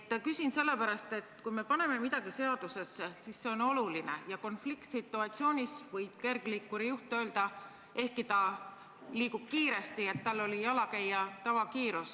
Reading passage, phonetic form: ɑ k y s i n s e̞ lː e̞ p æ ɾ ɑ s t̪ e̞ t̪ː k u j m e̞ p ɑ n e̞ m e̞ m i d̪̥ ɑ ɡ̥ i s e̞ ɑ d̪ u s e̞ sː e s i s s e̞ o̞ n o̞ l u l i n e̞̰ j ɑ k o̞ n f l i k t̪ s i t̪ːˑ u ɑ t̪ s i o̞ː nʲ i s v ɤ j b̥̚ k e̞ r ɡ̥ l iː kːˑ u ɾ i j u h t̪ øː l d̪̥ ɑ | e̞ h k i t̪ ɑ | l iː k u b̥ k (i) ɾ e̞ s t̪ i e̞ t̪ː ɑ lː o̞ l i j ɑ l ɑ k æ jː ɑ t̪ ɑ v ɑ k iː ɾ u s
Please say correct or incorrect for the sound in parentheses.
incorrect